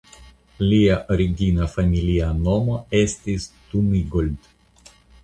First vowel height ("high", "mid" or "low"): high